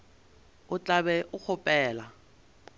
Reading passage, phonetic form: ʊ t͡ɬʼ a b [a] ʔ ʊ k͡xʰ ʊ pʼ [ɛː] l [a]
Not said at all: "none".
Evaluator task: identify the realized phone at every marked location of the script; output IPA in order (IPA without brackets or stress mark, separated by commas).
ɛ, ɛː, a